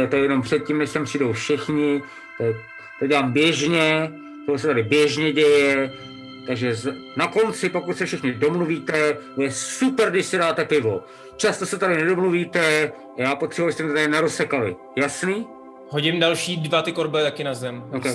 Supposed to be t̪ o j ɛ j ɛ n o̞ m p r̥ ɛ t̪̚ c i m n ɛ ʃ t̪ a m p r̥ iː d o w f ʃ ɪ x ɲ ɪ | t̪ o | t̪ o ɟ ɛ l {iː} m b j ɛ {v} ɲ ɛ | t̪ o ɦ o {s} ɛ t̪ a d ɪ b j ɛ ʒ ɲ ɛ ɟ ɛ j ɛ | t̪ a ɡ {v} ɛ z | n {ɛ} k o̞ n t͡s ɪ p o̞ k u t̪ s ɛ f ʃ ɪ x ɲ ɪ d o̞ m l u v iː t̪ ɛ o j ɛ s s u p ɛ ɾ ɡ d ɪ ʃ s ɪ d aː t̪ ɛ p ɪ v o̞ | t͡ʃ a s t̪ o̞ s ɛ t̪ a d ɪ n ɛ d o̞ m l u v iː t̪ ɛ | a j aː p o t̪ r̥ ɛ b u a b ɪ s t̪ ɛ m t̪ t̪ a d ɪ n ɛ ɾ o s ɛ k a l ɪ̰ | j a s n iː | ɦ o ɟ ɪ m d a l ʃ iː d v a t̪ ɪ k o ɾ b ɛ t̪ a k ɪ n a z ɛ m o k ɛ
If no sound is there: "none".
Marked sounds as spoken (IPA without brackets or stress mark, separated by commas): aː, ʒ, s, ʒ, a